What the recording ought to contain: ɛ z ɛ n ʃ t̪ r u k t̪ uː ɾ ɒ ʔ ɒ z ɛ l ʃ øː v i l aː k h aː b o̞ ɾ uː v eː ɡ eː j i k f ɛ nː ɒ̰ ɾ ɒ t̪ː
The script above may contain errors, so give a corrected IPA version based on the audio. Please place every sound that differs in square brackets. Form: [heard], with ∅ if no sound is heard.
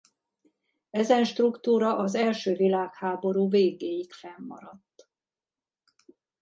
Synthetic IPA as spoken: ɛ z ɛ n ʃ t̪ r u k t̪ uː ɾ ɒ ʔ ɒ z ɛ l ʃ øː v i l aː k h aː b o̞ ɾ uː v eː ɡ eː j i k f ɛ [mː] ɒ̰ ɾ ɒ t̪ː

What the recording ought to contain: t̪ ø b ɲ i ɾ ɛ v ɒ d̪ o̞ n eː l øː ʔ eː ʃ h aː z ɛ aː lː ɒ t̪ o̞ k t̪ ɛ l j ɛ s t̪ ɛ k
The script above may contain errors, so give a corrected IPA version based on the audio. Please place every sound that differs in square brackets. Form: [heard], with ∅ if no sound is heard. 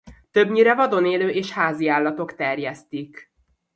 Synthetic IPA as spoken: t̪ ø b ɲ i ɾ ɛ v ɒ d̪ o̞ n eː l øː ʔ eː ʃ h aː z [i] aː lː ɒ t̪ o̞ k t̪ ɛ [r] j ɛ s t̪ [i] k

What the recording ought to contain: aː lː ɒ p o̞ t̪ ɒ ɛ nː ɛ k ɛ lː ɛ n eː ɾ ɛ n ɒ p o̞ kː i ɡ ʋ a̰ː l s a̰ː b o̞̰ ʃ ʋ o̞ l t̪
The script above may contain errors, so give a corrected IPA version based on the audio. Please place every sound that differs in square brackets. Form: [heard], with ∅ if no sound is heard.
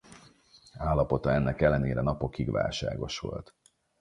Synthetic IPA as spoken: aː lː ɒ p o̞ t̪ ɒ ɛ nː ɛ k ɛ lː ɛ n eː ɾ ɛ n ɒ p o̞ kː i ɡ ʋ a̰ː l [ʃ] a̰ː [ɡ] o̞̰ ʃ ʋ o̞ l t̪

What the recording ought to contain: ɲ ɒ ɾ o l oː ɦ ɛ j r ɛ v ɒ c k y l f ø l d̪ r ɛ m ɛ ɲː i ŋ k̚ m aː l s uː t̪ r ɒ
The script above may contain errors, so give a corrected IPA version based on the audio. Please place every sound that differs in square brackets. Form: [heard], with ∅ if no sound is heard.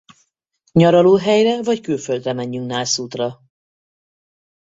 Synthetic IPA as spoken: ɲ ɒ ɾ [ɒ] l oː ɦ ɛ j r ɛ v ɒ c k y l f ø l d̪ r ɛ m ɛ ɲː [y] ŋ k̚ [n] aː l s uː t̪ r ɒ

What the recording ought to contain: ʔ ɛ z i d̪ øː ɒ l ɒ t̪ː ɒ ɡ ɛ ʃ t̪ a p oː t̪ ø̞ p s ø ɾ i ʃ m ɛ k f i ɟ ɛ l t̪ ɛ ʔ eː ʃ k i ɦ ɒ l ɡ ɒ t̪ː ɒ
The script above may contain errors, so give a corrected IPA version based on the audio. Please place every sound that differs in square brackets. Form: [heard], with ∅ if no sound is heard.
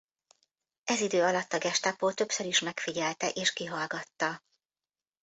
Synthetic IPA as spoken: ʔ ɛ z i d̪ øː ɒ l ɒ t̪ː ɒ ɡ ɛ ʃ t̪ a p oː t̪ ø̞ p s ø ɾ i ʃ m ɛ k f i ɟ ɛ l t̪ ɛ ʔ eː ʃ k i ɦ ɒ l ɡ ɒ t̪ː ɒ

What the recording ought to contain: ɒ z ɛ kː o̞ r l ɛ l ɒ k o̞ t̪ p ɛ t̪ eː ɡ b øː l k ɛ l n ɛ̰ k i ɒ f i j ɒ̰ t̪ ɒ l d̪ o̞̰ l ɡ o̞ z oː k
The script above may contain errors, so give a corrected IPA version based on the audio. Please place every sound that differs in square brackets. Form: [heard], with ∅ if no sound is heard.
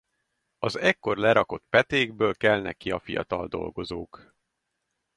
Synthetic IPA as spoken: ɒ z ɛ kː o̞ r l ɛ [ɾ] ɒ k o̞ t̪ p ɛ t̪ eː ɡ b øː l k ɛ l n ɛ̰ k i ɒ f i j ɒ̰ t̪ ɒ l d̪ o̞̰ l ɡ o̞ z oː k

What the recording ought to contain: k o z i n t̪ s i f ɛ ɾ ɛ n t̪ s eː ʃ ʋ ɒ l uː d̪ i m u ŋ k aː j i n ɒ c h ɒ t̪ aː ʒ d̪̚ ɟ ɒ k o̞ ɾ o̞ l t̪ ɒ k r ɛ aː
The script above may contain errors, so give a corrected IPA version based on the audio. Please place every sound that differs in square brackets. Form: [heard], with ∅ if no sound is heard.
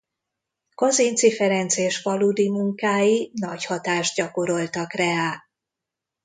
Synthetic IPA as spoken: k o z i n t̪ s i f ɛ ɾ ɛ n t̪ s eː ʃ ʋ ɒ l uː d̪ i m u ŋ k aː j i n ɒ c h ɒ t̪ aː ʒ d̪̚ ɟ ɒ k o̞ ɾ o̞ l t̪ ɒ k r ɛ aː

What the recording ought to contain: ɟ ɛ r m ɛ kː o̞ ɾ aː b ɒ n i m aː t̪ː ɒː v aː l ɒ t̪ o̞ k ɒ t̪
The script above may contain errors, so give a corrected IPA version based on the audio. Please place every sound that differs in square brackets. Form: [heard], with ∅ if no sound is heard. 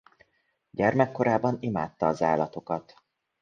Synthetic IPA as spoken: ɟ ɛ r m ɛ kː o̞ ɾ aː b ɒ n i m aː t̪ː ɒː [z] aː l ɒ t̪ o̞ k ɒ t̪

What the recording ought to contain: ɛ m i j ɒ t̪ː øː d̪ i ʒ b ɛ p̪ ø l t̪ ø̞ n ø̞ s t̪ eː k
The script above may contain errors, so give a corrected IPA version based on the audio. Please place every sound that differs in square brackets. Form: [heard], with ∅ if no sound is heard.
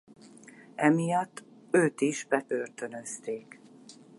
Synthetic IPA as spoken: ɛ m i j ɒ t̪ː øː [t̪] i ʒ b ɛ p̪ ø [r] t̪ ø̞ n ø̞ s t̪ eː k

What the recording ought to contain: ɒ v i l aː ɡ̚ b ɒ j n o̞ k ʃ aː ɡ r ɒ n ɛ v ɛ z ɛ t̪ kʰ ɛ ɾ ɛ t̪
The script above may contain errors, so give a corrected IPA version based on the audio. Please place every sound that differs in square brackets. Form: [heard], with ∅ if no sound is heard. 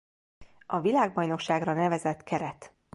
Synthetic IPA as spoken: ɒ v i l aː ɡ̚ b ɒ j n o̞ k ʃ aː ɡ r ɒ n ɛ v ɛ z ɛ t̪ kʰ ɛ ɾ ɛ t̪

